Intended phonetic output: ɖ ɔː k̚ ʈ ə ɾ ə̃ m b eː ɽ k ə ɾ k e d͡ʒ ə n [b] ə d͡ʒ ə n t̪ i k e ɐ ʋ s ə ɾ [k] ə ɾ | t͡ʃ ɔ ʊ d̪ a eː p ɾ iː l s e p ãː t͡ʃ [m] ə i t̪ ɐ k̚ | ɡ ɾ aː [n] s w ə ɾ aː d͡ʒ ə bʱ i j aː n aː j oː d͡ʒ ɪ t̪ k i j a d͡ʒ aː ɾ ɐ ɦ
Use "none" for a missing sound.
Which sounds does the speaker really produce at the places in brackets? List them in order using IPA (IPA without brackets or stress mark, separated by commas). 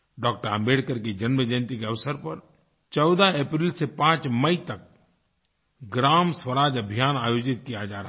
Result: m, p, m, m